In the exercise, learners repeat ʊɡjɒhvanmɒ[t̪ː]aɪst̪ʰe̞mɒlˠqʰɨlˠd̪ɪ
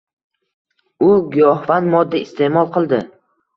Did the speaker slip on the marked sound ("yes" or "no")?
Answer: yes